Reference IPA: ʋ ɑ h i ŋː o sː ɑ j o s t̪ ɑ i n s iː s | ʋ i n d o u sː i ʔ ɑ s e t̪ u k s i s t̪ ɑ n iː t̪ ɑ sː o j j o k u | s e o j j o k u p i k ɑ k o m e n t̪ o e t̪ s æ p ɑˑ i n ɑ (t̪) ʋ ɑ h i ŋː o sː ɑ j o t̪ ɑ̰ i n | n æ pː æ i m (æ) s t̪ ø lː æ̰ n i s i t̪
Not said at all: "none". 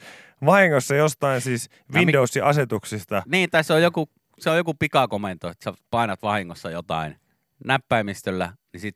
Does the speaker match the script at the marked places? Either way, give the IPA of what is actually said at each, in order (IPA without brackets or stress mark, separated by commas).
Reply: t̪, i